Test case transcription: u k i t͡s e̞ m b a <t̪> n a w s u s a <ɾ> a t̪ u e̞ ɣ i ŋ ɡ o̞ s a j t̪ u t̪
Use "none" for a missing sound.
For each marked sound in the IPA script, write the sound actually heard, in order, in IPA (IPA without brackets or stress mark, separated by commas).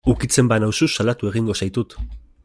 none, l